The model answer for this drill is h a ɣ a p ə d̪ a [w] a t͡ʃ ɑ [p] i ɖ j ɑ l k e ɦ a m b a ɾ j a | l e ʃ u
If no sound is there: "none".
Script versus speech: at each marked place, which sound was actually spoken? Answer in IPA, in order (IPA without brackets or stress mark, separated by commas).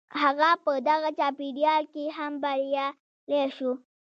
ɣ, p